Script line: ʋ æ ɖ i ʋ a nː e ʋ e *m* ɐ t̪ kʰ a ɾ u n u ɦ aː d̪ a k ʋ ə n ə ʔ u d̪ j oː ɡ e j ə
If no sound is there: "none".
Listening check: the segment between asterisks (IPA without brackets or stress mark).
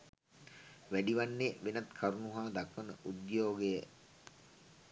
n